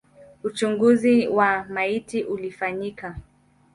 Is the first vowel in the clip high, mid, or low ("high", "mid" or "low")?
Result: high